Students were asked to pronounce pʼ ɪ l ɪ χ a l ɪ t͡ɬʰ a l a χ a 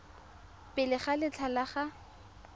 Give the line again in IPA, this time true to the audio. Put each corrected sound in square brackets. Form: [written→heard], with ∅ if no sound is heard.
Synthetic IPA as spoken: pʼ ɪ l ɪ χ a l ɪ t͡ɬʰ a l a χ a